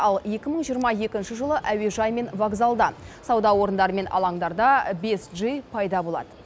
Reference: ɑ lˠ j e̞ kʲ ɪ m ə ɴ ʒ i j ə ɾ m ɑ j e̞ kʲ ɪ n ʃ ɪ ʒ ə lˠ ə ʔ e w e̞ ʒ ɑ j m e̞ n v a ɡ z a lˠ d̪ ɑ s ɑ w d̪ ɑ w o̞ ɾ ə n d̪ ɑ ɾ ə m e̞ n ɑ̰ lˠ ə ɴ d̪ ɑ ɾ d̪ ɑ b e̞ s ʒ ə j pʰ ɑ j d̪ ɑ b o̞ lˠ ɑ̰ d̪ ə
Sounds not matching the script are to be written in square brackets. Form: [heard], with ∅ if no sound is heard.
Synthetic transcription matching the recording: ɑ lˠ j e̞ kʲ ɪ m ə ɴ ʒ i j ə ɾ m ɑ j e̞ kʲ ɪ n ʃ ɪ ʒ ə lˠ ə ʔ [æ] w e̞ ʒ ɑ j m e̞ n v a ɡ z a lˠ d̪ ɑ s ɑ w d̪ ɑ w o̞ ɾ ə n d̪ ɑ ɾ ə m e̞ n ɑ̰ lˠ [ɑ] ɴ d̪ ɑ ɾ d̪ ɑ b e̞ s ʒ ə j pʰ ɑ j d̪ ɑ b o̞ lˠ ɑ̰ d̪ ə